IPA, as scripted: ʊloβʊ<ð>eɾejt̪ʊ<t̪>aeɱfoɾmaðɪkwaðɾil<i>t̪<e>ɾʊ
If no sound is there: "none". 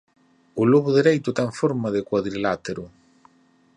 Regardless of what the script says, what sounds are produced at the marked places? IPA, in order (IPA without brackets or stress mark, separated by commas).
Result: ð, t̪, a, e